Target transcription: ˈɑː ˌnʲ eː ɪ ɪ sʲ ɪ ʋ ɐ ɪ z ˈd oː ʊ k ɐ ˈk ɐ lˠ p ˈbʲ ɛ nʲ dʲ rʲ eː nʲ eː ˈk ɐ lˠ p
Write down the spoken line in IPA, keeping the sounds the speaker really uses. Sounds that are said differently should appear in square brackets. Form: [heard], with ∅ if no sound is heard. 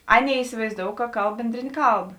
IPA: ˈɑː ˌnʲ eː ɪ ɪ sʲ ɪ ʋ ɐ ɪ z ˈd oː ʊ k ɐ ˈk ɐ lˠ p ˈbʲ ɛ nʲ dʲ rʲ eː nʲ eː ˈk ɐ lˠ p